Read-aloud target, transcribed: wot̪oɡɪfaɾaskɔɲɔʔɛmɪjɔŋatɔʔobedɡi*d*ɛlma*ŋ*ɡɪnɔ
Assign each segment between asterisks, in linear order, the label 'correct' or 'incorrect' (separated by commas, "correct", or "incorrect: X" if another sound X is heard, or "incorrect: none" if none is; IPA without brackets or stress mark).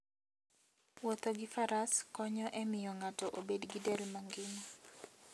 correct, correct